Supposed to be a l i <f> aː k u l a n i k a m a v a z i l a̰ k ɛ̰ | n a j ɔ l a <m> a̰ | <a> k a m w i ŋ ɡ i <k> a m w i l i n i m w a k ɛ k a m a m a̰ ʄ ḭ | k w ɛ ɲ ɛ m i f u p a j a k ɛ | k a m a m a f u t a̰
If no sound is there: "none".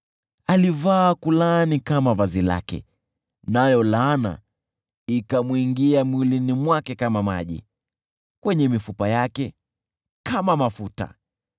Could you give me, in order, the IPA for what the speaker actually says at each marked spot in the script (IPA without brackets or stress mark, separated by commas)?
v, n, i, none